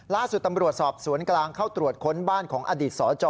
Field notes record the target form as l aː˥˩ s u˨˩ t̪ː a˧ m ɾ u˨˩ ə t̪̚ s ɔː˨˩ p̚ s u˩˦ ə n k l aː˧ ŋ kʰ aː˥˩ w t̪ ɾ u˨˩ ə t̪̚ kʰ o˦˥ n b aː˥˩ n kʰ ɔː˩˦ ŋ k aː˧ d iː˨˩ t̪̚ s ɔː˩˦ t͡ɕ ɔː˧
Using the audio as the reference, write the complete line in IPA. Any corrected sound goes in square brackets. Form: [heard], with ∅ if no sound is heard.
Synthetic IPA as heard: l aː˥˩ s u˨˩ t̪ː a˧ m ɾ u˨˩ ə t̪̚ s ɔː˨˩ p̚ s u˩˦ ə n k l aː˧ ŋ kʰ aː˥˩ w t̪ ɾ u˨˩ ə t̪̚ kʰ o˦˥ n b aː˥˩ n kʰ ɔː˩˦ ŋ [ʔ] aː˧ d iː˨˩ t̪̚ s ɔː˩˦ t͡ɕ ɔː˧